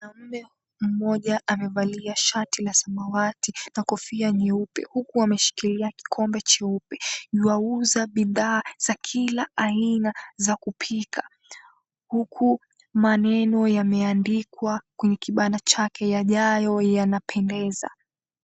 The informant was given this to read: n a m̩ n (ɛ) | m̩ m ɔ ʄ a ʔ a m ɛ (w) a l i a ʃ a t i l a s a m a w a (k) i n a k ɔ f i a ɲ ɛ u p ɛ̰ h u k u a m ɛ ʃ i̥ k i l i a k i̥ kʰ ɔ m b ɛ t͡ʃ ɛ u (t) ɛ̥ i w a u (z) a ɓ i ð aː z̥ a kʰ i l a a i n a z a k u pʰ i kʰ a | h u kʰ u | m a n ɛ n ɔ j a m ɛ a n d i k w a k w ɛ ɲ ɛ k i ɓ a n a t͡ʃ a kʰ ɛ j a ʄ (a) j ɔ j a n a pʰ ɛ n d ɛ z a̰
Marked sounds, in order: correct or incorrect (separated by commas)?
correct, incorrect, incorrect, incorrect, correct, correct